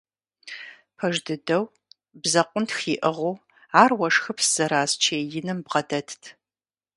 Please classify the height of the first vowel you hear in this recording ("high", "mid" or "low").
low